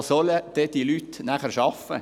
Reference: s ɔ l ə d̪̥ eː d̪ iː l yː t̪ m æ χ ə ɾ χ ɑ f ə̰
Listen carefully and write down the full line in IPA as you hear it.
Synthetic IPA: s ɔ l ə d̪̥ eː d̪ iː l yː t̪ n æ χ ə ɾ ʃ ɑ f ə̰